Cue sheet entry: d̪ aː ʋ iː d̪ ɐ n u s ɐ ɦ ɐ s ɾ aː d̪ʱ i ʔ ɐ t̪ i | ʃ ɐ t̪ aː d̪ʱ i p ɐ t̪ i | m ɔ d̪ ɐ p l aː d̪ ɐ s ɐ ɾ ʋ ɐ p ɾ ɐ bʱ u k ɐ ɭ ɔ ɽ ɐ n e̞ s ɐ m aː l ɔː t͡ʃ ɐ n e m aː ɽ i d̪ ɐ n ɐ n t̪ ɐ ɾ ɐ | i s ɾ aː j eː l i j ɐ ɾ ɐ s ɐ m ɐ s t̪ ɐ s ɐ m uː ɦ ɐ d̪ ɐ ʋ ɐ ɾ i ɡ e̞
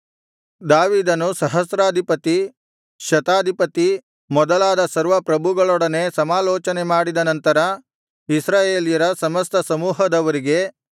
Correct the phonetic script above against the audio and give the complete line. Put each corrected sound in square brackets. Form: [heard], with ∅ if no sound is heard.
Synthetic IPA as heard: d̪ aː ʋ iː d̪ ɐ n u s ɐ ɦ ɐ s ɾ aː d̪ʱ i [p] ɐ t̪ i | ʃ ɐ t̪ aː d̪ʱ i p ɐ t̪ i | m ɔ d̪ ɐ [∅] l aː d̪ ɐ s ɐ ɾ ʋ ɐ p ɾ ɐ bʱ u [ɡ] ɐ ɭ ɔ ɽ ɐ n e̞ s ɐ m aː l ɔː t͡ʃ ɐ n e m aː ɽ i d̪ ɐ n ɐ n t̪ ɐ ɾ ɐ | i s ɾ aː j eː l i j ɐ ɾ ɐ s ɐ m ɐ s t̪ ɐ s ɐ m uː ɦ ɐ d̪ ɐ ʋ ɐ ɾ i ɡ e̞

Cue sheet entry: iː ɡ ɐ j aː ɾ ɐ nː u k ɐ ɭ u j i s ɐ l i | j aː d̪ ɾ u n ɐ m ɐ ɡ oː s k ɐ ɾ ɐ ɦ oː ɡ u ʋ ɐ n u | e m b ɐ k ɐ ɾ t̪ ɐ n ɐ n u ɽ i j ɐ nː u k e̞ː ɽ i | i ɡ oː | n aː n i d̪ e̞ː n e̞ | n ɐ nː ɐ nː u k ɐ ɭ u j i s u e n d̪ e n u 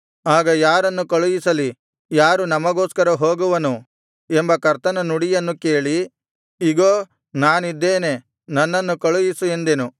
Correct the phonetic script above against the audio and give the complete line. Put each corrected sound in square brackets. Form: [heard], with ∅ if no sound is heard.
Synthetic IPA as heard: [aː] ɡ ɐ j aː ɾ ɐ nː u k ɐ ɭ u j i s ɐ l i | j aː [∅] ɾ u n ɐ m ɐ ɡ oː s k ɐ ɾ ɐ ɦ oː ɡ u ʋ ɐ n u | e m b ɐ k ɐ ɾ t̪ ɐ n ɐ n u ɽ i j ɐ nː u k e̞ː [ɭ] i | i ɡ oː | n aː n i [d̪ː] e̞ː n e̞ | n ɐ nː ɐ nː u k ɐ ɭ u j i s u e n d̪ e n u

